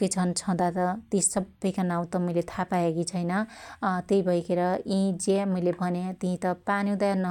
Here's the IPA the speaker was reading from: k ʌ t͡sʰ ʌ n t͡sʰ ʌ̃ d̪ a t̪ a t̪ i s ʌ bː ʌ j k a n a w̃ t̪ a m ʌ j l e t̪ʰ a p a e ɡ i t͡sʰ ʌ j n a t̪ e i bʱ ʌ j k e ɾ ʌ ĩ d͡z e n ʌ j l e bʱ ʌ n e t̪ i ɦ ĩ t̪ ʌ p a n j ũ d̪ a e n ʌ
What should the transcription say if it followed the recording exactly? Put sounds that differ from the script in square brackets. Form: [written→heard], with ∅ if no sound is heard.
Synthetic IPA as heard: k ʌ t͡sʰ ʌ n t͡sʰ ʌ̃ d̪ a t̪ [a→ʌ] t̪ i s ʌ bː ʌ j k a n a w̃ t̪ [a→ʌ] m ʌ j l e t̪ʰ a p a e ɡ i t͡sʰ ʌ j n [a→ʌ] t̪ e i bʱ ʌ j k e ɾ ʌ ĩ d͡z e [n→m] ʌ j l e bʱ ʌ n e t̪ i ɦ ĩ t̪ ʌ p a n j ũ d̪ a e n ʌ

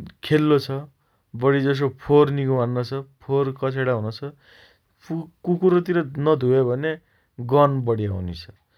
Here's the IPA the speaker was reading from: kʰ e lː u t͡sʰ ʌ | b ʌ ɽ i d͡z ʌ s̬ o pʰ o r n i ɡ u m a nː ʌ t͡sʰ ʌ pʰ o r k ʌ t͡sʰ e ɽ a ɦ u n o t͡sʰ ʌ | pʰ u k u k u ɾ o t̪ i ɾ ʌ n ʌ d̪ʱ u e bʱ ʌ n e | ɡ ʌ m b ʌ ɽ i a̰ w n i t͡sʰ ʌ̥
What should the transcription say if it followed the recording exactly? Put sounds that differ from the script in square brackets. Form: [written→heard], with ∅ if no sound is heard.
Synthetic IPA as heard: kʰ e lː [u→o] t͡sʰ ʌ | b ʌ ɽ i d͡z ʌ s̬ o pʰ o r n i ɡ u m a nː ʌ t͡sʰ ʌ pʰ o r k ʌ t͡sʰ e ɽ a ɦ u n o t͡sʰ ʌ | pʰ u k u k u ɾ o t̪ i ɾ ʌ n ʌ d̪ʱ u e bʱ ʌ n e | ɡ ʌ [m→n] b ʌ ɽ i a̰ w n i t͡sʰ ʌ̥

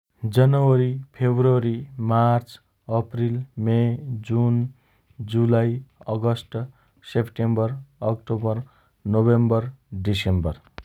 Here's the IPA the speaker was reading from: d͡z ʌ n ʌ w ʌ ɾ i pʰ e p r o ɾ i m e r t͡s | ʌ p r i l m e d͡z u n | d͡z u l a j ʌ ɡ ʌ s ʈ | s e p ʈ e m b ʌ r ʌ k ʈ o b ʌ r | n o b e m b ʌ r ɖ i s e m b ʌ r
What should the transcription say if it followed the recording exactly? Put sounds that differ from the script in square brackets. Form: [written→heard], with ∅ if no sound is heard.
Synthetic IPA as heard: d͡z ʌ n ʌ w ʌ ɾ i pʰ e [p→b] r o ɾ i m [e→a] r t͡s | ʌ p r i l m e d͡z u n | d͡z u l a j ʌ ɡ ʌ s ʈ | s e p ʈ e m b ʌ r ʌ k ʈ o b ʌ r | n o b e m b ʌ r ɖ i s e m b ʌ r

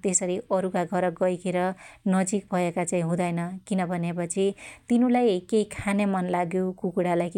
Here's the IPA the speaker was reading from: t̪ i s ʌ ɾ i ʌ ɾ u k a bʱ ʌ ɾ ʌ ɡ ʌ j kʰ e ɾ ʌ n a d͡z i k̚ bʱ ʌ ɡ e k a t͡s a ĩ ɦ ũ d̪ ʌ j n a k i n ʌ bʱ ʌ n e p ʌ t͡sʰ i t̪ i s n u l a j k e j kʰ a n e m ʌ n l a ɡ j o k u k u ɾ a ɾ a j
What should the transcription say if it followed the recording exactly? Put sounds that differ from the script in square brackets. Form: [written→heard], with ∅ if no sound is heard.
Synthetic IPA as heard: t̪ [i→e] s ʌ ɾ i ʌ ɾ u k a [bʱ→ɡʱ] ʌ ɾ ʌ ɡ ʌ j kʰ e ɾ ʌ n [a→ʌ] d͡z i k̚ bʱ ʌ [ɡ→∅] e k a t͡s a ĩ ɦ ũ d̪ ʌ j n [a→ʌ] k i n ʌ bʱ ʌ n e p ʌ t͡sʰ i t̪ i [s→∅] n u l a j k e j kʰ a n e m ʌ n l a ɡ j o k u k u [ɾ→ɽ] a [ɾ→l] a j

